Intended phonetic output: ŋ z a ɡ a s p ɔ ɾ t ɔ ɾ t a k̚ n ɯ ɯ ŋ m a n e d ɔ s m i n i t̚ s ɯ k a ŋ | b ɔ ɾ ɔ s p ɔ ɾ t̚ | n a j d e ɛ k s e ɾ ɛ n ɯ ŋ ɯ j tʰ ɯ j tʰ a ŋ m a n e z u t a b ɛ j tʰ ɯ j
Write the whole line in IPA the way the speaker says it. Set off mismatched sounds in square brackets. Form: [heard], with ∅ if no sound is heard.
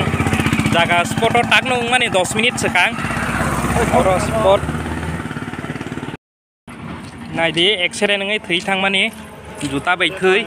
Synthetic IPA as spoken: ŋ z a ɡ a s p ɔ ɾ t ɔ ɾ t a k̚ n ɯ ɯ ŋ m a n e d ɔ s m i n i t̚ s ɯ k a ŋ | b ɔ ɾ ɔ s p ɔ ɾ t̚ | n a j d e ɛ k s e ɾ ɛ n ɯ ŋ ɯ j tʰ ɯ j tʰ a ŋ m a n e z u t a b [a] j tʰ ɯ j